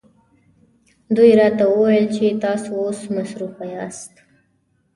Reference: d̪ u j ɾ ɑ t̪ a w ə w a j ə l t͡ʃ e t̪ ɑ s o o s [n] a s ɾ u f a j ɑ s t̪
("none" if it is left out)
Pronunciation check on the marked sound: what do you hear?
m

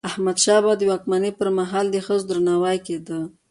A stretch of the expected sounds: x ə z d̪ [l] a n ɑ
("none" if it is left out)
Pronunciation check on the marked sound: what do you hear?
ɾ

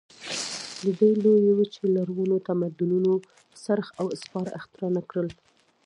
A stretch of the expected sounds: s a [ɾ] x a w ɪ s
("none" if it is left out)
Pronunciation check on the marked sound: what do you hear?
ɾ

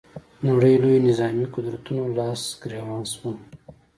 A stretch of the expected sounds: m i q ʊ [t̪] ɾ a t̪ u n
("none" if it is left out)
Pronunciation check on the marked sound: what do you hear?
d̪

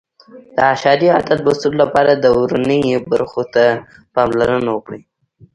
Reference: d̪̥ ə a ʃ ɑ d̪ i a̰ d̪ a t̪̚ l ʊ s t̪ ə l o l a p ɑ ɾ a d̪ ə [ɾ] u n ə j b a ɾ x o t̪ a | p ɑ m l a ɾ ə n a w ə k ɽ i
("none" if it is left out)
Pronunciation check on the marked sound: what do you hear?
ɾ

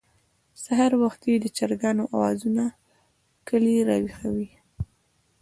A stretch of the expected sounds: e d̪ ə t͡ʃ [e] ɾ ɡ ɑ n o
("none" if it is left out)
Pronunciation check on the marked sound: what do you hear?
a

